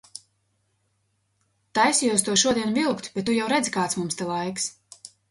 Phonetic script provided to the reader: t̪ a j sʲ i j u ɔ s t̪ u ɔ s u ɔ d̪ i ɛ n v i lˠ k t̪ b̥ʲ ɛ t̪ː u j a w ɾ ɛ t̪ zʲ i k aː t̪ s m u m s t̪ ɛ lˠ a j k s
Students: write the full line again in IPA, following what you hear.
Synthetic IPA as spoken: t̪ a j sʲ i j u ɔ s t̪ u ɔ ʃ u ɔ d̪ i ɛ n v i lˠ k t̪ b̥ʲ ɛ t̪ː u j a w ɾ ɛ d̪ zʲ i k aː t̪ s m u m s t̪ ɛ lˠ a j k s